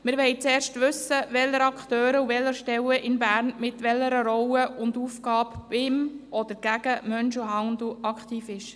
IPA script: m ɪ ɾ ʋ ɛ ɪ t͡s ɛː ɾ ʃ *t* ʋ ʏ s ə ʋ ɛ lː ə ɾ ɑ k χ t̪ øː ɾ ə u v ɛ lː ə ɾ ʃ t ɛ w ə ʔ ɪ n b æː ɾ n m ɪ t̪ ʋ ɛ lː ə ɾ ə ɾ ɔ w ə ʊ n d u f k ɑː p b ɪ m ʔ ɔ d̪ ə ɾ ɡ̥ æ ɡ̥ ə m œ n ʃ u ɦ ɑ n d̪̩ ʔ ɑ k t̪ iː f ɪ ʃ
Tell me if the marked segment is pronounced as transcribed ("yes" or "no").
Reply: yes